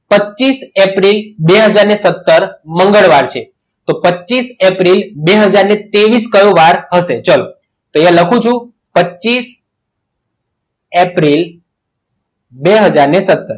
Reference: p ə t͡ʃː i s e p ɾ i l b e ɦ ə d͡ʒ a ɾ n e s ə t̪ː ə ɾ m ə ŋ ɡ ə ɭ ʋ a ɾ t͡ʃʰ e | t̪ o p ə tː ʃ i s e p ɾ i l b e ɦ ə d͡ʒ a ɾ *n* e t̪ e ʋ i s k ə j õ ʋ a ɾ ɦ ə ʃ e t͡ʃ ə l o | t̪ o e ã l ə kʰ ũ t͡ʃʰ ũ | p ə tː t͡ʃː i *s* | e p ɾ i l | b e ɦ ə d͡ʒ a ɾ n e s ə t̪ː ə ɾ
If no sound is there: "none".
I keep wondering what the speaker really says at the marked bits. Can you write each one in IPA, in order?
n, s

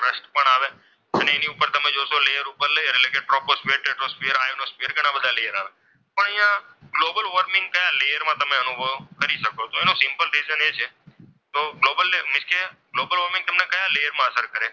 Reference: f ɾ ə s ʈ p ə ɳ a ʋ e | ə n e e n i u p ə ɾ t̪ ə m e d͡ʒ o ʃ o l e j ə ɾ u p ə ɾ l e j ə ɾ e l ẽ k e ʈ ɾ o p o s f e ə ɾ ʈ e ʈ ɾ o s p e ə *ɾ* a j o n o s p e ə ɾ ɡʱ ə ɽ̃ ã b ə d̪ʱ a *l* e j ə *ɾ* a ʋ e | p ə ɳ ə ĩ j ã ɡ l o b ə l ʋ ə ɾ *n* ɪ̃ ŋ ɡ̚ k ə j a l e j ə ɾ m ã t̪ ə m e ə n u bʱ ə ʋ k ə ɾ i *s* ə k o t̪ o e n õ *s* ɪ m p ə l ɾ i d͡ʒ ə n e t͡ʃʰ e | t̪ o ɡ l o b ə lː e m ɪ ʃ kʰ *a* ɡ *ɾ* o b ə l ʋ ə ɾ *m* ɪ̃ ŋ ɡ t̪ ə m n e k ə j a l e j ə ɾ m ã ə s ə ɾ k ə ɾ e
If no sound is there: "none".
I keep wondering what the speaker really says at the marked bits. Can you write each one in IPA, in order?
ɾ, l, ɾ, m, ʃ, s, e, l, m

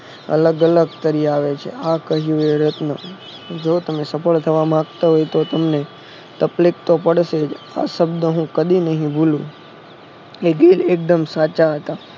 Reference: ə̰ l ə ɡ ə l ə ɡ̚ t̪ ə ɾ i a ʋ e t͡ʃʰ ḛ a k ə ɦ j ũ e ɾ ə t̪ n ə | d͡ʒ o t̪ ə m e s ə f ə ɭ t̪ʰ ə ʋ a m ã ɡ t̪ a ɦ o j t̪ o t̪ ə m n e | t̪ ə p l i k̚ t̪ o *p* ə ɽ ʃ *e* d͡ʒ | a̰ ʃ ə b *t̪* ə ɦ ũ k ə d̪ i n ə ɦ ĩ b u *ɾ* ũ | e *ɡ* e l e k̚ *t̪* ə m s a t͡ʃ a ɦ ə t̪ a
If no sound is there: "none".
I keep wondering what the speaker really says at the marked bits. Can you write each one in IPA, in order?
p, e, d̪, l, ɡ, d̪

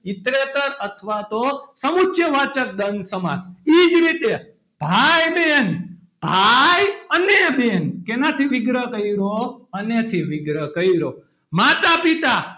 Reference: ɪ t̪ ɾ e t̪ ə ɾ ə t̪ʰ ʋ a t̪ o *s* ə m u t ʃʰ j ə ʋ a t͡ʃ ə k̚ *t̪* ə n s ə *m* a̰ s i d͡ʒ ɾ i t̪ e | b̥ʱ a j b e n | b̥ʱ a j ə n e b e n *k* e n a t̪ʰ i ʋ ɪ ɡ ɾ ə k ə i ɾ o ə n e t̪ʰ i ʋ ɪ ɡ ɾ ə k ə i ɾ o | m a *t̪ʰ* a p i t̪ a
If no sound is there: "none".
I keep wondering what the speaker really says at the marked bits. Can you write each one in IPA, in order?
s, d̪, m, k, t̪

